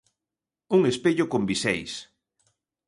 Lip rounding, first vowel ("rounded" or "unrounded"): rounded